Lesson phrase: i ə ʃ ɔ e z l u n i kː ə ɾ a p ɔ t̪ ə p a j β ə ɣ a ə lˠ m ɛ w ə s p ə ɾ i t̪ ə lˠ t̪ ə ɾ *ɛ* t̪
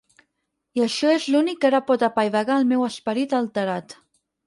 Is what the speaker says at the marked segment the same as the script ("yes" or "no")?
no